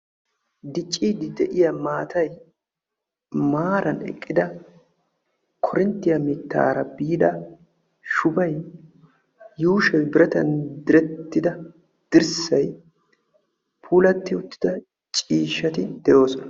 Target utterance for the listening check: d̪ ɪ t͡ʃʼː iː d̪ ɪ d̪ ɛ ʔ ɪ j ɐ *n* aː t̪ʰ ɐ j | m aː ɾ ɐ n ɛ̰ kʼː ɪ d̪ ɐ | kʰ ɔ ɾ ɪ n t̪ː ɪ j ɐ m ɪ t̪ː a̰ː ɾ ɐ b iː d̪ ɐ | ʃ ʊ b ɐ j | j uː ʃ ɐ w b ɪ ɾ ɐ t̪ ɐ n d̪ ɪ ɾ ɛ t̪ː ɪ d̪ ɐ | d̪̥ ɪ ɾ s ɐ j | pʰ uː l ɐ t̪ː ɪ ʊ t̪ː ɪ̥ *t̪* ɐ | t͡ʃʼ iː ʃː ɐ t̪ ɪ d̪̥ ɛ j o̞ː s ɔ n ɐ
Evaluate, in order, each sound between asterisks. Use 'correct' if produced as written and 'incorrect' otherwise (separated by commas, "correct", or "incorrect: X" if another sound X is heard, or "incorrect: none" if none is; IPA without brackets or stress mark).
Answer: incorrect: m, incorrect: d̪